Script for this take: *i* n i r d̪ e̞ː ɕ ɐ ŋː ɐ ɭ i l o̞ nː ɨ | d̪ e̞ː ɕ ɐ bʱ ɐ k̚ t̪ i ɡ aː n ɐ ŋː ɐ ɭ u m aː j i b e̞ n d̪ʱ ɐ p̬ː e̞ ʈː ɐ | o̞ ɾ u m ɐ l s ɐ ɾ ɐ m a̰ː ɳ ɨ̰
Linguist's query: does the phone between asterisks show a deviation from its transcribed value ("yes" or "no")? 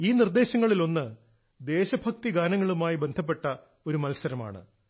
yes